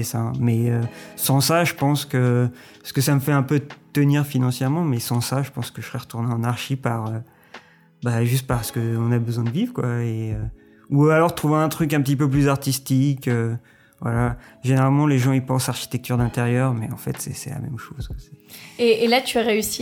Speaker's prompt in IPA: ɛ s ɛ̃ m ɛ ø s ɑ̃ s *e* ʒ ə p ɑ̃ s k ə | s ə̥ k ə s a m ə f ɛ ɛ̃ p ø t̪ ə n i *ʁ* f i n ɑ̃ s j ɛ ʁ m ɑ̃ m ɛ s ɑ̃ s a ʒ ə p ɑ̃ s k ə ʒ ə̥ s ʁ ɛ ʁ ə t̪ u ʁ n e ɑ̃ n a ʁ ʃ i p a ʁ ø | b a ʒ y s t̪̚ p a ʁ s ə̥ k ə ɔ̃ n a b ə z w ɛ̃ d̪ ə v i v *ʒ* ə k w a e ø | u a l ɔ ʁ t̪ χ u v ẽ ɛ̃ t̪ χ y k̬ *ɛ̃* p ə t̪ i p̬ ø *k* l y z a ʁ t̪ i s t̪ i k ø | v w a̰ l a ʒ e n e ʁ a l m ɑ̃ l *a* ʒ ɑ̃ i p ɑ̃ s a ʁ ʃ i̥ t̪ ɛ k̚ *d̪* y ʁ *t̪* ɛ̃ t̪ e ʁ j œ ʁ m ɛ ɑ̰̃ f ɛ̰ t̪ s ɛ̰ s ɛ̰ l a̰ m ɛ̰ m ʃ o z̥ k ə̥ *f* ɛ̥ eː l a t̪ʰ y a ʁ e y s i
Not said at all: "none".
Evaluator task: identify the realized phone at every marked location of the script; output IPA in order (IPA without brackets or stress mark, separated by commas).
a, ʁ, ʁ, ɛ̃, p, e, t̪, d̪, s